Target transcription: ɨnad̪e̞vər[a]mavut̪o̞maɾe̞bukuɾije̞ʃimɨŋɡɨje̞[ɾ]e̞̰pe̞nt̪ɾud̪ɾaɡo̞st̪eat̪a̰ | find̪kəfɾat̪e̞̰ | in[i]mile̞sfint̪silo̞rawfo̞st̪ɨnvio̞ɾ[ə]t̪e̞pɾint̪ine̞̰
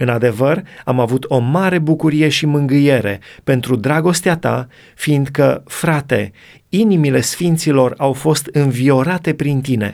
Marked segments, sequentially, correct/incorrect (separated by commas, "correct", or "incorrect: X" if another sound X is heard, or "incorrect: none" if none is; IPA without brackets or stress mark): correct, correct, correct, incorrect: a